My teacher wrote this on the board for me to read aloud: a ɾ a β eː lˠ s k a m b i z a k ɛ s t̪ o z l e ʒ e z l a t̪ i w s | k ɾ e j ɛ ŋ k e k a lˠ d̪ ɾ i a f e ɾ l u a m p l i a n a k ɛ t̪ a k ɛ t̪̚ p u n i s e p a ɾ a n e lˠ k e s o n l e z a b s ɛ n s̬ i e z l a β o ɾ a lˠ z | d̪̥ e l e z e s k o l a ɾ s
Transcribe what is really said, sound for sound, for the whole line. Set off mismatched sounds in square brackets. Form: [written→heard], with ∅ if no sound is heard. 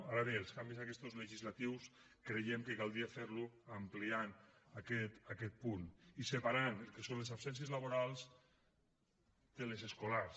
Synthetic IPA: a ɾ a β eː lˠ s k a m b i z a k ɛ s t̪ o z l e ʒ [e→i] z l a t̪ i w s | k ɾ e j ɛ [ŋ→m] k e k a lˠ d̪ ɾ i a f e ɾ l u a m p l i a n a k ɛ t̪ a k ɛ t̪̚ p u n i s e p a ɾ a n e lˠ k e s o n l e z a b s ɛ n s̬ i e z l a β o ɾ a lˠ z | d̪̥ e l e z e s k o l a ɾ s

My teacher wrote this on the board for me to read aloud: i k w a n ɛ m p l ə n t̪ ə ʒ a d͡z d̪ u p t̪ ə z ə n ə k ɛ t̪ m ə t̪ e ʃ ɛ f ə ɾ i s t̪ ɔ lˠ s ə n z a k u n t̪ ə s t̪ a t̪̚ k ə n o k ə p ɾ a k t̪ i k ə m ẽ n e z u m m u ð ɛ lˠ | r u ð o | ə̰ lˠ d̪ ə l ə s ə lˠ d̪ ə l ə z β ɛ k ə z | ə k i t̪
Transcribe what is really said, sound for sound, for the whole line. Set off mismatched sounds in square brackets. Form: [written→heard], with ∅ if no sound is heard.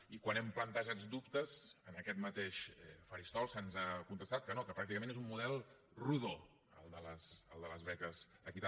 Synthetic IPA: i k w a n ɛ m p l ə n t̪ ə ʒ a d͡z d̪ u p t̪ ə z ə n ə k ɛ t̪ m ə t̪ e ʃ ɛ f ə ɾ i s t̪ ɔ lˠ s ə n z a k u n t̪ ə s t̪ a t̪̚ k ə n o k ə p ɾ a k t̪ i k ə m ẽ n e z u m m u ð ɛ lˠ | r u ð o | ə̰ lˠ d̪ ə l ə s ə lˠ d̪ ə l ə z β ɛ k ə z | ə k i t̪

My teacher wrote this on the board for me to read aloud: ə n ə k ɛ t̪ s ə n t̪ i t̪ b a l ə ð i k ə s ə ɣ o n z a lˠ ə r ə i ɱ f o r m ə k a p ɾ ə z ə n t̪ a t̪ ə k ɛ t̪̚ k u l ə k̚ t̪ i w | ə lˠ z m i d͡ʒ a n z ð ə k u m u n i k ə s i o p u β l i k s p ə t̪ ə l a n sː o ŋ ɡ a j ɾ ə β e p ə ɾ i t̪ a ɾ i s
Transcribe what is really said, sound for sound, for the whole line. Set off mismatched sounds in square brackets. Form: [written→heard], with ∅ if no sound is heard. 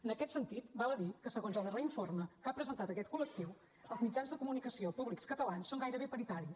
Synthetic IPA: ə n ə k ɛ t̪ s ə n t̪ i t̪ b a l ə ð i k ə s ə ɣ o n z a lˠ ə r ə i ɱ f o r m ə k a p ɾ ə z ə n t̪ a t̪ ə k ɛ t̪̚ k u l ə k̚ t̪ i w | ə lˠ z m i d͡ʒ a n z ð ə k u m u n i k ə s i o p u β l i k s [p→k] ə t̪ ə l a n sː o ŋ ɡ a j ɾ ə β e p ə ɾ i t̪ a ɾ i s

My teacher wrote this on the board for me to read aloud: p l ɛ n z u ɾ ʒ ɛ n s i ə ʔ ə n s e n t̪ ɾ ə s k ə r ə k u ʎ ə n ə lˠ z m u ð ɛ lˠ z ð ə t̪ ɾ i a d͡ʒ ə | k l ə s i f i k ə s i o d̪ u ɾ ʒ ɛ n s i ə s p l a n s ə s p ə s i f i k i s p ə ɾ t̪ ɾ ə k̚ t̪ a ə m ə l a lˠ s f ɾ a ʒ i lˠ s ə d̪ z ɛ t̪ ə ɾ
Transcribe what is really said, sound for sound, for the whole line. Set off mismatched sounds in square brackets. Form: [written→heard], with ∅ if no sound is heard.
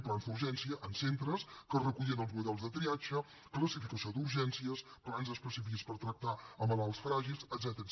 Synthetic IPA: p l [ɛ→a] n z u ɾ ʒ ɛ n s i ə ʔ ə n s e n t̪ ɾ ə s k ə r ə k u ʎ ə n ə lˠ z m u ð ɛ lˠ z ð ə t̪ ɾ i a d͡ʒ ə | k l ə s i f i k ə s i o d̪ u ɾ ʒ ɛ n s i ə s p l a n [s→z] ə s p ə s i f i k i s p ə ɾ t̪ ɾ ə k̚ t̪ a ə m ə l a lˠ s f ɾ a ʒ i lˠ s ə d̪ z ɛ t̪ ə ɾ

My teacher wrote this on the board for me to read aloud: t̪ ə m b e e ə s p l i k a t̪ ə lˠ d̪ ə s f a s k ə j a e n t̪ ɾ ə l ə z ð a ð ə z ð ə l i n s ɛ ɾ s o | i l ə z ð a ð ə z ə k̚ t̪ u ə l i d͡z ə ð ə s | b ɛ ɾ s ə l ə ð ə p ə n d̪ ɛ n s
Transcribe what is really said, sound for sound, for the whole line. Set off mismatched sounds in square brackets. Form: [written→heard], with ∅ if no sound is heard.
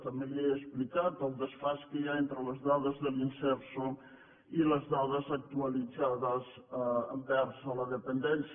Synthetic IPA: t̪ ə m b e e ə s p l i k a t̪ ə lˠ d̪ ə s f a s k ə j a e n t̪ ɾ ə l ə z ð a ð ə z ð ə l i n s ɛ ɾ s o | i l ə z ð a ð ə z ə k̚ t̪ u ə l i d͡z [ə→a] ð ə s | b ɛ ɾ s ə l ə ð ə p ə n d̪ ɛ n s

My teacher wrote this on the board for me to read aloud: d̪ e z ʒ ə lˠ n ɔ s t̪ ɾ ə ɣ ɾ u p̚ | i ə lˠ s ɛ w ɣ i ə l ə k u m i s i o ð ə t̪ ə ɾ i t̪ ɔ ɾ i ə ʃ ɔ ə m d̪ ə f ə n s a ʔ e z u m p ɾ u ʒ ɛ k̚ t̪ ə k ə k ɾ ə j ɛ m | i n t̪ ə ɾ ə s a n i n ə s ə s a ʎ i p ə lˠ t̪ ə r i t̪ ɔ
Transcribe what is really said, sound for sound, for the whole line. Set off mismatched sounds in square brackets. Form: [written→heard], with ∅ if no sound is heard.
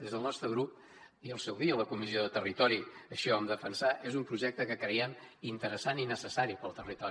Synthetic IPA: d̪ e z [ʒ→ð] ə lˠ n ɔ s t̪ ɾ ə ɣ ɾ u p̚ | i ə lˠ s ɛ w [ɣ→ð] i ə l ə k u m i [s→z] i o ð ə t̪ ə [ɾ→r] i t̪ ɔ ɾ i ə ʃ ɔ ə m d̪ ə f ə n s a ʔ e z u m p ɾ u ʒ ɛ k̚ t̪ ə k ə k ɾ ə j ɛ m | i n t̪ ə ɾ ə s a n i n ə s ə s a [ʎ→ɾ] i p ə lˠ t̪ ə r i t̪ ɔ

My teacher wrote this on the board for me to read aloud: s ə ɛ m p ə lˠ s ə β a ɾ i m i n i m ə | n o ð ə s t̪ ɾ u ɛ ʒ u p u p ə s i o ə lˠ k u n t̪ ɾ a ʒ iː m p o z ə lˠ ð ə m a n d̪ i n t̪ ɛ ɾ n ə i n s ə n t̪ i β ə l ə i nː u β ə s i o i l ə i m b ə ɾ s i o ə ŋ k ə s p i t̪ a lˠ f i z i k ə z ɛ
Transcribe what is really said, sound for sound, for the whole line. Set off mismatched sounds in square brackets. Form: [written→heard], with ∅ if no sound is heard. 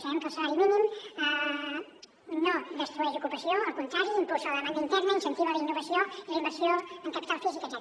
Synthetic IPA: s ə ɛ m [p→k] ə lˠ s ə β a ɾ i m i n i m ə | n o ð ə s t̪ ɾ u ɛ ʒ u [p→k] u p ə s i o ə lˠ k u n t̪ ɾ a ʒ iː m p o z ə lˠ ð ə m a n d̪ i n t̪ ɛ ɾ n ə i n s ə n t̪ i β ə l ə i nː u β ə s i o i l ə i m b ə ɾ s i o ə ŋ k ə [s→∅] p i t̪ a lˠ f i z i k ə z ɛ

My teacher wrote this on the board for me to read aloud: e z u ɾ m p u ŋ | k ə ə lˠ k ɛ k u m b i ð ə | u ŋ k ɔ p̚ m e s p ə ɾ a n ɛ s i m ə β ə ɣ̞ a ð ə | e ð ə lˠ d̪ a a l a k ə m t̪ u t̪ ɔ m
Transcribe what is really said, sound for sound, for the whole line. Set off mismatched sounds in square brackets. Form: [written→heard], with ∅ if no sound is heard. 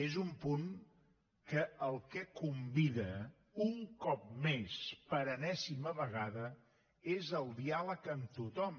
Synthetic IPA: e z u [ɾ→∅] m p u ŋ | k ə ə lˠ k ɛ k u m b i ð ə | u ŋ k ɔ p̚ m e s p ə ɾ [a→ə] n ɛ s i m ə β ə ɣ̞ a ð ə | e [ð→z] ə lˠ d̪ [a→i] a l [a→ə] k ə m t̪ u t̪ ɔ m

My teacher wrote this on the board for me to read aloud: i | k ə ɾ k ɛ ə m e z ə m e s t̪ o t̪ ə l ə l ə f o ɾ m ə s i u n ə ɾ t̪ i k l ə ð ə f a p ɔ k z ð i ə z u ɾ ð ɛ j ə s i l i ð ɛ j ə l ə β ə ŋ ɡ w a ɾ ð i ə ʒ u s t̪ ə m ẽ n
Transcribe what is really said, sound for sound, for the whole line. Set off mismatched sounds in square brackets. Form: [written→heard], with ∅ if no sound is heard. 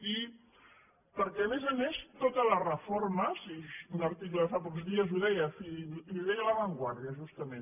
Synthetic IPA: i | [k→p] ə ɾ k ɛ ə m e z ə m e s t̪ o t̪ ə l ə [l→r] ə f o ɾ m ə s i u n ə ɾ t̪ i k l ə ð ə f a p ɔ k z ð i ə z u [ɾ→∅] ð ɛ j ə [s→f] i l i ð ɛ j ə l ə β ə ŋ ɡ w a ɾ ð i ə ʒ u s t̪ ə m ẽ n

